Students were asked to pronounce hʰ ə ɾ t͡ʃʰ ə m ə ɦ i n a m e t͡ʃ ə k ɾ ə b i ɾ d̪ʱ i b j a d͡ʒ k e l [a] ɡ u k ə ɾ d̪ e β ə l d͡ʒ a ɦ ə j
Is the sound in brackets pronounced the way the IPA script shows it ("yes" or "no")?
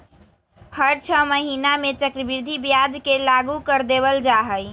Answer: yes